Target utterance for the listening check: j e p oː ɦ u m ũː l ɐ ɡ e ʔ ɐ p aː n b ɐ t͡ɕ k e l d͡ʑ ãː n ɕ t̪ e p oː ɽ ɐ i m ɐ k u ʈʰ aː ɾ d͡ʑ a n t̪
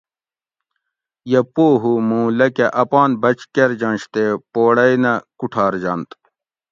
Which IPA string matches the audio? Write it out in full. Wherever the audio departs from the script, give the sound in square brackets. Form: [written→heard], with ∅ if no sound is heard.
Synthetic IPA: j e p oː ɦ u m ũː l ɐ [ɡ→k] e ʔ ɐ p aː n b ɐ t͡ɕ k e [l→ɾ] d͡ʑ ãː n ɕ t̪ e p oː ɽ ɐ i [m→n] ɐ k u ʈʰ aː ɾ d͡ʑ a n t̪